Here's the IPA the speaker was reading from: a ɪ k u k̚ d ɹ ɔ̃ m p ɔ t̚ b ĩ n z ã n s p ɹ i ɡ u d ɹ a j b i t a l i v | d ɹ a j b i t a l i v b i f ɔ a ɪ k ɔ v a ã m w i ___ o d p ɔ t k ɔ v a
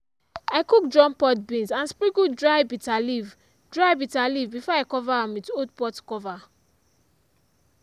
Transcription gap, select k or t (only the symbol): t